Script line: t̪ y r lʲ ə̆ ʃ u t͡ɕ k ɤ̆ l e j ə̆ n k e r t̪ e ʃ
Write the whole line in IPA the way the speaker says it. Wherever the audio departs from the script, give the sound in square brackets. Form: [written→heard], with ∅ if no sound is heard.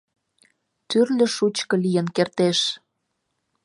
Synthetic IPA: t̪ y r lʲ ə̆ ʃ u t͡ɕ k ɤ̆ l [e→i] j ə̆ n k e r t̪ e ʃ